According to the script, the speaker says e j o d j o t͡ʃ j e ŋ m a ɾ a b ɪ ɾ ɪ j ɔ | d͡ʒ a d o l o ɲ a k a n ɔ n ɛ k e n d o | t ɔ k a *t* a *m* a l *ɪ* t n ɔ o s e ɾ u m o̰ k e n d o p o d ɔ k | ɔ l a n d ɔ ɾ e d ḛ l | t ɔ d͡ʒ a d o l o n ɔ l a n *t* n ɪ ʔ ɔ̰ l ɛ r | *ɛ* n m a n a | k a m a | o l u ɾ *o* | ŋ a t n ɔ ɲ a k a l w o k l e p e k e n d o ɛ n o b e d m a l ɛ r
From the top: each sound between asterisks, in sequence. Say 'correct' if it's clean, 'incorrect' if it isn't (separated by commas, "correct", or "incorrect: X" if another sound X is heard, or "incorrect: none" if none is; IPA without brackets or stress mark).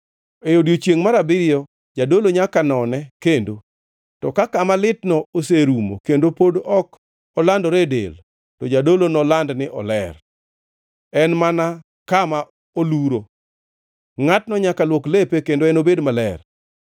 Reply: incorrect: k, correct, correct, incorrect: d, correct, correct